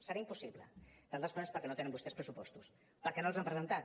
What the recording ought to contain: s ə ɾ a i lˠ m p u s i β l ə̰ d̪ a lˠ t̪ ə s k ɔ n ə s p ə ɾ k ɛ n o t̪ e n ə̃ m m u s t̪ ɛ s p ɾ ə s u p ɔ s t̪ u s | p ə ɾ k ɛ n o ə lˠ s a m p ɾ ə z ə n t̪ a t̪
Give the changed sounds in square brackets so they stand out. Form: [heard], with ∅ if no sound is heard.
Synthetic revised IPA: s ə ɾ a i [∅] m p u s i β l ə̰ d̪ a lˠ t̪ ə s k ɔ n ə s p ə ɾ k ɛ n o t̪ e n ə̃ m [b] u s t̪ ɛ s p ɾ ə s u p ɔ s t̪ u s | p ə ɾ k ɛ n o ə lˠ [z] a m p ɾ ə z ə n t̪ a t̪